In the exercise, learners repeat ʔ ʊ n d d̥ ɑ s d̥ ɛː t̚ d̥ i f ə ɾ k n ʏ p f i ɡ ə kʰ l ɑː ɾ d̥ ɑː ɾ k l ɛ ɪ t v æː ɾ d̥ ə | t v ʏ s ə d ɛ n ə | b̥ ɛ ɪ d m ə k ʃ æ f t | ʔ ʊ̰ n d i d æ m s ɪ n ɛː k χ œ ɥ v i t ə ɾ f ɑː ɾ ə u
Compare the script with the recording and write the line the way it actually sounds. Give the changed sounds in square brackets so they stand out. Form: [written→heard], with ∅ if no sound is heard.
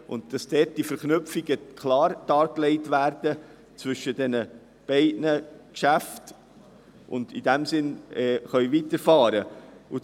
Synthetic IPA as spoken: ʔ ʊ n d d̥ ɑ s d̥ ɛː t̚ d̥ i f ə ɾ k n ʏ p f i ɡ ə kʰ l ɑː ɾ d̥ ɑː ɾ k l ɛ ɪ t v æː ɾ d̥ ə | [t→t͡s] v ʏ [s→ʃ] ə d ɛ n ə | b̥ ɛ ɪ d [m→n] ə k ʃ æ f t | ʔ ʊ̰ n d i d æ m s ɪ n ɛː [k→∅] χ œ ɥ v i t ə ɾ f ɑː ɾ ə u

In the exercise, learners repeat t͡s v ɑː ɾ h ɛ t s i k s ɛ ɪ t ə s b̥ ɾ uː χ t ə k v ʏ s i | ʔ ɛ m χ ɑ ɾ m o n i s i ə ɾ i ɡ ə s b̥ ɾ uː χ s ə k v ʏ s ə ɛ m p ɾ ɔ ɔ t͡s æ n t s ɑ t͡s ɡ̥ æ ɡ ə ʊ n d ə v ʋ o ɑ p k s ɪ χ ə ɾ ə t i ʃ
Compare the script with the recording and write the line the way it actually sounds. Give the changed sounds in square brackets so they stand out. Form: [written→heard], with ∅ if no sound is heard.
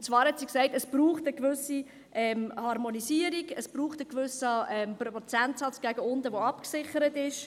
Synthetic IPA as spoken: t͡s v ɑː ɾ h ɛ t s i k s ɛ ɪ t ə s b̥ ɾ uː χ t ə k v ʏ s i | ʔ ɛ m [χ→h] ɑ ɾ m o n i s i ə ɾ i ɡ ə s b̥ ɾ uː χ [s→t] ə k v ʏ s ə ɛ m p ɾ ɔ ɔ t͡s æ n t s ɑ t͡s ɡ̥ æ ɡ ə ʊ n d ə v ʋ o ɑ p k s ɪ χ ə ɾ ə t [i→ɪ] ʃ

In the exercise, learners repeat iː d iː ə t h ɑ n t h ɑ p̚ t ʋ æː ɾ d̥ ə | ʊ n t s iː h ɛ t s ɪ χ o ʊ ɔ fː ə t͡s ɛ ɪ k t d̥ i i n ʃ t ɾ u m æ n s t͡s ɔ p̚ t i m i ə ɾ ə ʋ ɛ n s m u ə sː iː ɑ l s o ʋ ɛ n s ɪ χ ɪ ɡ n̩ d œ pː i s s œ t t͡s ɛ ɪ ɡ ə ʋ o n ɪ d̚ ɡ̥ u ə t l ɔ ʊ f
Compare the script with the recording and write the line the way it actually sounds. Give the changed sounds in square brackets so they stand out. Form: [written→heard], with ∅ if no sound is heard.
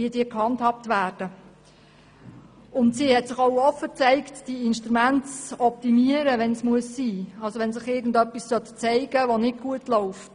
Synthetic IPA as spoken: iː d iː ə [t→k] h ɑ n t h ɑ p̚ t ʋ æː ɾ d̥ ə | ʊ n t s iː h ɛ t s ɪ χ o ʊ ɔ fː ə t͡s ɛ ɪ k t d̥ i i n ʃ t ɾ u m æ n [s→t] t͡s ɔ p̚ t i m i ə ɾ ə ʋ ɛ n s m u ə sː iː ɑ l s o ʋ ɛ n s ɪ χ ɪ ɡ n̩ d œ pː i s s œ t t͡s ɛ ɪ ɡ ə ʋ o n ɪ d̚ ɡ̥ u ə t l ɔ ʊ f

